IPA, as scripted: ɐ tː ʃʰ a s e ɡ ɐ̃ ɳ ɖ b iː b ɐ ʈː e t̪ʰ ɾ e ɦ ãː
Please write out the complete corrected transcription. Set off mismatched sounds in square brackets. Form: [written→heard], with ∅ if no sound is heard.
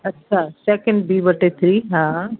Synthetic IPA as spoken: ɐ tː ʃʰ a s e [ɡ→k] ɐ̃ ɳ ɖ b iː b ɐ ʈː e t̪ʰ ɾ [e→i] ɦ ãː